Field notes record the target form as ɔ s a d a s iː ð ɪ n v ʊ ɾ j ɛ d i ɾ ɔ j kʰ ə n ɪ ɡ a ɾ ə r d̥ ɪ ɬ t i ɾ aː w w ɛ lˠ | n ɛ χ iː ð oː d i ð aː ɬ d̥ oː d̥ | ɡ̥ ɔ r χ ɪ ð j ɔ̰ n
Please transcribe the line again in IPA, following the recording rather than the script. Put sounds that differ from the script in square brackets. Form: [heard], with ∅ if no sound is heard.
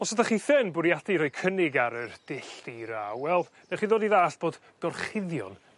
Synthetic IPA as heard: ɔ s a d a [χ] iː [θ] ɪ n [b] ʊ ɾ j [a] d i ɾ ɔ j kʰ ə n ɪ ɡ a ɾ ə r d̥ ɪ ɬ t i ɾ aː w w ɛ lˠ | n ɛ χ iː ð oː d i ð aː ɬ [b̥] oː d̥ | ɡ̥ ɔ r χ ɪ ð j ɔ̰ n